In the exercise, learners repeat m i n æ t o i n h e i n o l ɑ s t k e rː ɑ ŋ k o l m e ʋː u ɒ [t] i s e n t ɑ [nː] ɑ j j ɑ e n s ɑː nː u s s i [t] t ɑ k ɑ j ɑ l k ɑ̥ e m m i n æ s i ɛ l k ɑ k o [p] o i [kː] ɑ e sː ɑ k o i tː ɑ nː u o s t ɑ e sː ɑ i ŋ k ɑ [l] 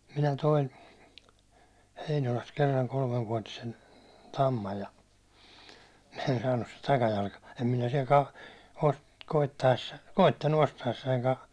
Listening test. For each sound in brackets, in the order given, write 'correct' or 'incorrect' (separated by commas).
correct, incorrect, correct, incorrect, incorrect, incorrect